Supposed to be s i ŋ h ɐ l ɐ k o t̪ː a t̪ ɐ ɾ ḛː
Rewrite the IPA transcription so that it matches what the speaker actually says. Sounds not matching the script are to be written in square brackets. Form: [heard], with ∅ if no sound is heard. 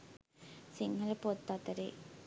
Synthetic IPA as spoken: s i ŋ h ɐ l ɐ [p] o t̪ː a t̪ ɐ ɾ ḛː